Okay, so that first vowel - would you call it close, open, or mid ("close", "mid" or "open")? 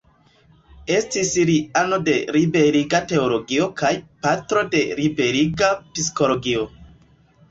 mid